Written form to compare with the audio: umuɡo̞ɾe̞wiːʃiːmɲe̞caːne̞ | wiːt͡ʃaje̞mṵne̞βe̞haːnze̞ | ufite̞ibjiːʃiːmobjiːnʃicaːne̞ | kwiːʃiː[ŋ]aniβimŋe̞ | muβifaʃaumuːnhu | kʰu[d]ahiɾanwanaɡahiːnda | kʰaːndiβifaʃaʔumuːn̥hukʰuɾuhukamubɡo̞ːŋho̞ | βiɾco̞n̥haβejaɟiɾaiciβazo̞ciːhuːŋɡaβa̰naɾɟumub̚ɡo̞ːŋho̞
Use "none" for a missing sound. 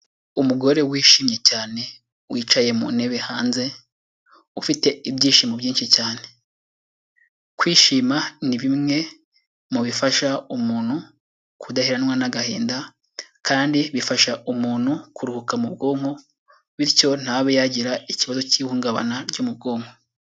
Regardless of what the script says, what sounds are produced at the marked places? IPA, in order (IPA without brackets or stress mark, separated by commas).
m, d